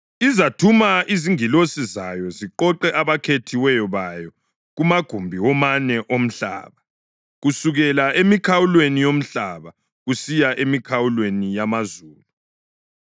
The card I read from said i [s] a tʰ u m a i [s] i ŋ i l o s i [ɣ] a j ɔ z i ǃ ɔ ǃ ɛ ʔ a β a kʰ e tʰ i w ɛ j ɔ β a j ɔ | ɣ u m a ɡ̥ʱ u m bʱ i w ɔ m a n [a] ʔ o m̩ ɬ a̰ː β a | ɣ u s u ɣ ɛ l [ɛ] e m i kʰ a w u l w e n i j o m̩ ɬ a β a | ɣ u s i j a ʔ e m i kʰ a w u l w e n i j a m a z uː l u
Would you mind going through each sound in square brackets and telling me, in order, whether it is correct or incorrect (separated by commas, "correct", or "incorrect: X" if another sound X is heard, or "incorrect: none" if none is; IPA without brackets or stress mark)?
incorrect: z, incorrect: z, incorrect: z, incorrect: ɛ, incorrect: a